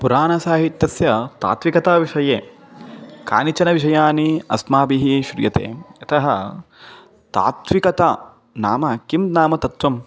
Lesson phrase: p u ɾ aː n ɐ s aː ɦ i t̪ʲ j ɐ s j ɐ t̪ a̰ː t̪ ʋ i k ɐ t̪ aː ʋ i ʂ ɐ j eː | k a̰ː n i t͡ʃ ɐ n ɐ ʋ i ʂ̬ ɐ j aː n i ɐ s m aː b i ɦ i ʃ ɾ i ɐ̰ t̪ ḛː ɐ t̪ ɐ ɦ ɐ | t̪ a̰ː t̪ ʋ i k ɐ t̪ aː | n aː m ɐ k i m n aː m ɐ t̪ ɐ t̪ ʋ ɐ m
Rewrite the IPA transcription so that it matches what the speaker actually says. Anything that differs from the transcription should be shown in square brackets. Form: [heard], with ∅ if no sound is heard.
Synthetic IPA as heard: p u ɾ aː n ɐ s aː ɦ i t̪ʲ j ɐ s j ɐ t̪ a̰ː t̪ ʋ i k ɐ t̪ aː ʋ i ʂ ɐ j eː | k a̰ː n i t͡ʃ ɐ n ɐ ʋ i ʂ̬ ɐ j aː n i ɐ s m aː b i ɦ i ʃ ɾ [j] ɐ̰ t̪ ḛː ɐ t̪ ɐ ɦ ɐ | t̪ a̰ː t̪ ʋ i k ɐ t̪ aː | n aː m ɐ k i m n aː m ɐ t̪ ɐ t̪ ʋ ɐ m